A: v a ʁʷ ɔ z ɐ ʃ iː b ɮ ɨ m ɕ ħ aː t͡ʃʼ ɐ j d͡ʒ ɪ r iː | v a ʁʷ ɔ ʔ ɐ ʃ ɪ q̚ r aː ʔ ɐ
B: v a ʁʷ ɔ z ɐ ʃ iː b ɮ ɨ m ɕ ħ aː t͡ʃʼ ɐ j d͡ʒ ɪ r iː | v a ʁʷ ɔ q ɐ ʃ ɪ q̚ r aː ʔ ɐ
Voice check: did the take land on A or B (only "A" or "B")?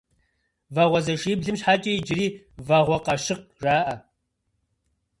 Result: B